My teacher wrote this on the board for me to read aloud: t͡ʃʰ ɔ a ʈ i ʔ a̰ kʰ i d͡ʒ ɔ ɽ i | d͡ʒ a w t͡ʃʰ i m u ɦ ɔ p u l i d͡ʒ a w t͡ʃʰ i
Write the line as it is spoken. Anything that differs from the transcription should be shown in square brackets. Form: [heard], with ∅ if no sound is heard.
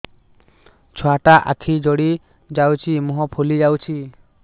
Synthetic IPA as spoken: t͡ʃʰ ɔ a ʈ [a] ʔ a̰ kʰ i d͡ʒ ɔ ɽ i | d͡ʒ a w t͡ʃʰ i m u ɦ ɔ [pʰ] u l i d͡ʒ a w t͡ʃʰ i